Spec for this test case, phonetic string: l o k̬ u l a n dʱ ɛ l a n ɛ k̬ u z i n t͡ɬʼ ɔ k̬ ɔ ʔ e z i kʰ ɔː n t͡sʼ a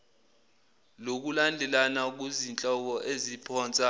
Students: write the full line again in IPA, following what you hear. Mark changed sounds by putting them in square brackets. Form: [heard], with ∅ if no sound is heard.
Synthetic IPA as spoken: l o k̬ u l a n dʱ ɛ l a n [a] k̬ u z i n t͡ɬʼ ɔ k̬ ɔ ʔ e z i [pʰ] ɔː n t͡sʼ a